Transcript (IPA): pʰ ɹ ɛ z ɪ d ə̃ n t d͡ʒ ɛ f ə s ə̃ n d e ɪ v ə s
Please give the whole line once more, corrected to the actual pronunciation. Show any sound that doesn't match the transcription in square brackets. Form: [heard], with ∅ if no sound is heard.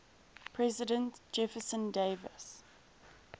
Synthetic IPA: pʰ ɹ ɛ z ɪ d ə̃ n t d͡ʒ ɛ f ə s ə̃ n d e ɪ v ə s